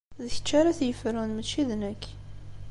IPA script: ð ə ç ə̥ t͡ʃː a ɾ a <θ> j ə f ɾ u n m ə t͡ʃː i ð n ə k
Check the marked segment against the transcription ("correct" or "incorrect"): correct